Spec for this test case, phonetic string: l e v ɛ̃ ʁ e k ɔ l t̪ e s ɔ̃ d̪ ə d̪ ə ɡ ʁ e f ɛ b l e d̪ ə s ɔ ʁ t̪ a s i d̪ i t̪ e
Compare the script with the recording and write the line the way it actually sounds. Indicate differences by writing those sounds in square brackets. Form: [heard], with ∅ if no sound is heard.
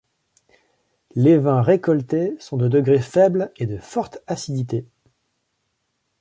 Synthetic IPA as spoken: l e v ɛ̃ ʁ e k ɔ l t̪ e s ɔ̃ d̪ ə d̪ ə ɡ ʁ e f ɛ b l e d̪ ə [f] ɔ ʁ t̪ a s i d̪ i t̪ e